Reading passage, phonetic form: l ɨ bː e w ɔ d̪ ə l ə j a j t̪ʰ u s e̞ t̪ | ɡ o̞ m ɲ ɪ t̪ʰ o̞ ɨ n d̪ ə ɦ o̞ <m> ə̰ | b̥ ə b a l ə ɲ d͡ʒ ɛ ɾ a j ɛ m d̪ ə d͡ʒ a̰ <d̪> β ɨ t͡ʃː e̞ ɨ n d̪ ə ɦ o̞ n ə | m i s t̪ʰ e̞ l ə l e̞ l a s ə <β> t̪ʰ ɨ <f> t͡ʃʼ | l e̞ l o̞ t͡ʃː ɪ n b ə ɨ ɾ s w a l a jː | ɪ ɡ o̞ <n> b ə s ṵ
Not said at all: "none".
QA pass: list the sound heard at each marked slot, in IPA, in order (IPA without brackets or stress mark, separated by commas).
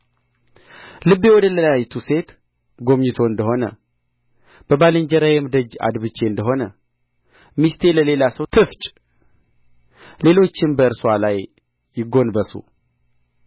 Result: n, d̪, w, f, n